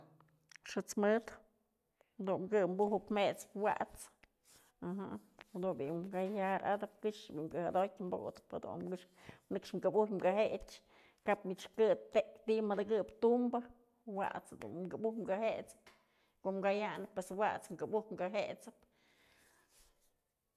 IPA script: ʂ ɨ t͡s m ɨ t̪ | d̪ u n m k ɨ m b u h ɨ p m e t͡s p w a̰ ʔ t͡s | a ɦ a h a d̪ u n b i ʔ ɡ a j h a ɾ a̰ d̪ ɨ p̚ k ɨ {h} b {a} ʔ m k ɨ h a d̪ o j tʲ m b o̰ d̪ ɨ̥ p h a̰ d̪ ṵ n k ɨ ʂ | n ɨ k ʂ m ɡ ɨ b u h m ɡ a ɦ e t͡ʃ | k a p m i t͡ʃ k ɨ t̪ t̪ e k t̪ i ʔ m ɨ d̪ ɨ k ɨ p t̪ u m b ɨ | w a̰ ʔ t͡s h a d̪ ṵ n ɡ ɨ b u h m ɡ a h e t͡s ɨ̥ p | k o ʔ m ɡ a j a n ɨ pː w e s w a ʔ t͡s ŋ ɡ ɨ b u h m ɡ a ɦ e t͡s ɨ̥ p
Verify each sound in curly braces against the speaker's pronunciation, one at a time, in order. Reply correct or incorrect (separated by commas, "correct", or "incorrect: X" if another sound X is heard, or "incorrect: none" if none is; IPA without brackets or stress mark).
incorrect: ʂ, incorrect: i